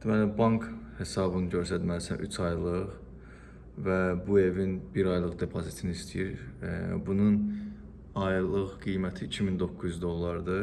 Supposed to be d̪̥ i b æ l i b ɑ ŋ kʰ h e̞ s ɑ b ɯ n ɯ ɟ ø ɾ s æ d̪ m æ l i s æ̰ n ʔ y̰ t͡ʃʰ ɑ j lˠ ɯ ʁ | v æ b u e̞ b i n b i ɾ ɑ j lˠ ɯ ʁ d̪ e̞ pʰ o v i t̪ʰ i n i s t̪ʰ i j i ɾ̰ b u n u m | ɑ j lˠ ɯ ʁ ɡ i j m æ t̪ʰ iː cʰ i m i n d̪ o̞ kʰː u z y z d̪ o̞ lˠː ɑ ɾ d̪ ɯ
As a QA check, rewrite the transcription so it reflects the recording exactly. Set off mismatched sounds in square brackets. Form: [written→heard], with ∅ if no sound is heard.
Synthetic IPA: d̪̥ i [b→m] æ l i b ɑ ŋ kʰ h e̞ s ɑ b ɯ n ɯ ɟ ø ɾ s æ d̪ m æ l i s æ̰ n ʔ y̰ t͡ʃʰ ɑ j lˠ ɯ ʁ | v æ b u e̞ [b→v] i n b i ɾ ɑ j lˠ ɯ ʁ d̪ e̞ pʰ o [v→z] i t̪ʰ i n i s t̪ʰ i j i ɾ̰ b u n u [m→n] | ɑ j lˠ ɯ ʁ ɡ i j m æ t̪ʰ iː cʰ i m i n d̪ o̞ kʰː u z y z d̪ o̞ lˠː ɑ ɾ d̪ ɯ